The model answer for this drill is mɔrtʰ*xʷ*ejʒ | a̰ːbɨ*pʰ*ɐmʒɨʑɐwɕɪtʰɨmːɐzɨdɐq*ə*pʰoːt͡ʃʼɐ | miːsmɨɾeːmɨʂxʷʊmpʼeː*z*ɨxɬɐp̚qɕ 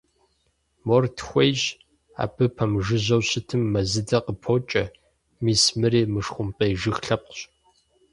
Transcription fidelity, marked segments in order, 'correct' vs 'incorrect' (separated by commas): correct, correct, correct, incorrect